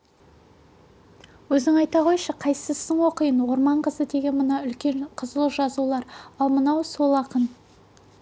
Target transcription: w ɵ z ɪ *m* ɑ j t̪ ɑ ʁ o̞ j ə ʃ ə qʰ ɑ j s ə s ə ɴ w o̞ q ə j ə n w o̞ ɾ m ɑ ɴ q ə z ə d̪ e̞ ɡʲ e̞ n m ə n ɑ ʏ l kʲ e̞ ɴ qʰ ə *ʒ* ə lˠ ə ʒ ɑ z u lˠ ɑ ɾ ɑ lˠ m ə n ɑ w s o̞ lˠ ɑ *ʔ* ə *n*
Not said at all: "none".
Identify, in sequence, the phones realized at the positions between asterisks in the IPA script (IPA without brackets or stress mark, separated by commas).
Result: ŋ, z, q, n